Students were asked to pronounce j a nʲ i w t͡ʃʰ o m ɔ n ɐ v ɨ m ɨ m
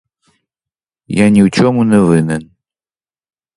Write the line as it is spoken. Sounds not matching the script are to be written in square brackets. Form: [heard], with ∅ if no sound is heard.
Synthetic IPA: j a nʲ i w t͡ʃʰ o m [u] n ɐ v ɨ [n] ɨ [n]